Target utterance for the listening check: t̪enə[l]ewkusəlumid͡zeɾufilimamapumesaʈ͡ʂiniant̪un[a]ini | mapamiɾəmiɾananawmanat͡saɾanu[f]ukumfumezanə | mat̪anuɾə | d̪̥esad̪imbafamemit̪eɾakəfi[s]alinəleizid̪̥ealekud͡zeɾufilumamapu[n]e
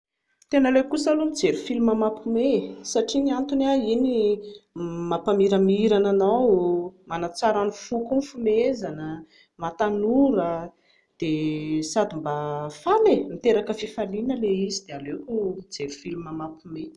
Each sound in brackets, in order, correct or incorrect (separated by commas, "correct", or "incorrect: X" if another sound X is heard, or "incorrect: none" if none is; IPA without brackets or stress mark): correct, correct, correct, incorrect: f, incorrect: m